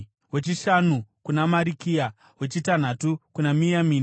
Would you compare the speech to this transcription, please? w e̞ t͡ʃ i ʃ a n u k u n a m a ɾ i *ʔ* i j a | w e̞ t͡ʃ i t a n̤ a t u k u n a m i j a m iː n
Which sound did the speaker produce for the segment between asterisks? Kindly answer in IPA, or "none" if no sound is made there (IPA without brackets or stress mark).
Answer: k